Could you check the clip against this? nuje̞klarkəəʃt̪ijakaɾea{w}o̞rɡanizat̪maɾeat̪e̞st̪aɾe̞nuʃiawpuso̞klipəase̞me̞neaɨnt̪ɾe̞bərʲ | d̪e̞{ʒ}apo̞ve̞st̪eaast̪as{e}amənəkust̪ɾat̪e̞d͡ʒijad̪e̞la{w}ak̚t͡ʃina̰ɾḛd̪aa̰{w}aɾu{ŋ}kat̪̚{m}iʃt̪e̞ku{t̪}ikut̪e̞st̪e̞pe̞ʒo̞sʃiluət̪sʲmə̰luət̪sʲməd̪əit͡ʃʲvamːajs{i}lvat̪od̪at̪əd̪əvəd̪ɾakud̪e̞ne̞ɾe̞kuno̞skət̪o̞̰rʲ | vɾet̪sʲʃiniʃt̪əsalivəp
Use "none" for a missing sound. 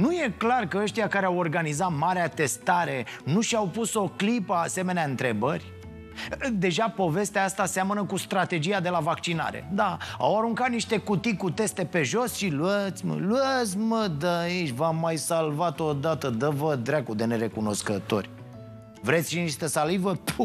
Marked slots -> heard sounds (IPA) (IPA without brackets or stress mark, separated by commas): w, ʒ, e, v, w, ŋ, n, t̪, a